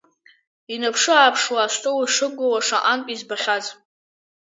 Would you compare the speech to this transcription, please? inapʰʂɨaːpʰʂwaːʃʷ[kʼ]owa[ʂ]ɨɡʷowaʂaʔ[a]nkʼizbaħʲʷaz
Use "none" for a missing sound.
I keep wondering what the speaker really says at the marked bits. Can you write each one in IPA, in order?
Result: tʼ, ʂ, a

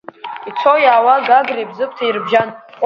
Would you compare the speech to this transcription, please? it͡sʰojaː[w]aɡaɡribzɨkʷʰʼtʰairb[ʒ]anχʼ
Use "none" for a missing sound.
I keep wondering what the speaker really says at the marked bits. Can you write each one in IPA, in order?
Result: w, ʒ

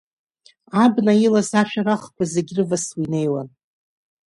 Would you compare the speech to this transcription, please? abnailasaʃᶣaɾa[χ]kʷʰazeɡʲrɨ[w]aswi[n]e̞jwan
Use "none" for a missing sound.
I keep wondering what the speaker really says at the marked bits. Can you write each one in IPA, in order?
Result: χ, v, n

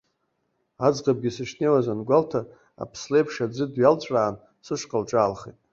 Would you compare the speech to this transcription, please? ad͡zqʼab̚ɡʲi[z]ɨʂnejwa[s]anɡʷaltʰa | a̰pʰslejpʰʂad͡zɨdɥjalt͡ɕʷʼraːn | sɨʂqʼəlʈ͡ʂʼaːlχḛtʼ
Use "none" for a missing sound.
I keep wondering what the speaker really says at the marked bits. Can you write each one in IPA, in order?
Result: s, z

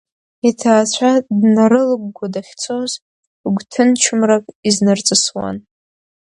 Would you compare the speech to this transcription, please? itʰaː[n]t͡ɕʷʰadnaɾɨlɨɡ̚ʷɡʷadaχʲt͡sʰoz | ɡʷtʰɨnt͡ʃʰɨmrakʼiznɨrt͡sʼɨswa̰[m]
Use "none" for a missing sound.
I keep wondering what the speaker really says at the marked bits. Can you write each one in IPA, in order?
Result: none, n

